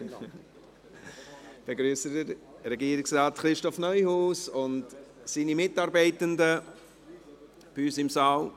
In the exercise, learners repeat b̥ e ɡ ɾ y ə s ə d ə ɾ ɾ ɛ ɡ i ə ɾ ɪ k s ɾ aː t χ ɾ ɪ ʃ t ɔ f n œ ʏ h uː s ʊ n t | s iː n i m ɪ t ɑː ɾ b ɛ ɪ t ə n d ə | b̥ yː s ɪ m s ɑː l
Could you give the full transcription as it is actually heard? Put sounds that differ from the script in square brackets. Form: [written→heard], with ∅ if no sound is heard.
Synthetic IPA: b̥ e ɡ ɾ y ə s ə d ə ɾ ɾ ɛ ɡ i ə ɾ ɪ k s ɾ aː t χ ɾ ɪ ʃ t ɔ f n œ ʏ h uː s ʊ n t | s iː n i m ɪ t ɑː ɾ b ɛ ɪ t ə n d ə | b̥ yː s ɪ m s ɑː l